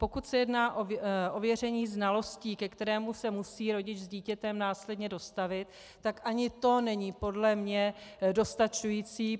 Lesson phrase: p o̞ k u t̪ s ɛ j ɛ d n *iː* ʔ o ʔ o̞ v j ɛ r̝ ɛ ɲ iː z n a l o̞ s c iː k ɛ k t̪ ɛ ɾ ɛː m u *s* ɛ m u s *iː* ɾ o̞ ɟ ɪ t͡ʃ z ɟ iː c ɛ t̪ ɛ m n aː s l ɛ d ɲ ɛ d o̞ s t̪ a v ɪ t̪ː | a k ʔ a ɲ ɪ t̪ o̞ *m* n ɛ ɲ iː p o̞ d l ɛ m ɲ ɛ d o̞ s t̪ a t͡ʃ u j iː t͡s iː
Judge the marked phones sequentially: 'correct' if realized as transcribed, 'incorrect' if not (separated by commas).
incorrect, correct, correct, incorrect